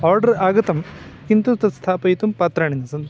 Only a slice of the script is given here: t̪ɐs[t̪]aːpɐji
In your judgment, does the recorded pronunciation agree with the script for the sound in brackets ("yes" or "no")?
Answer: no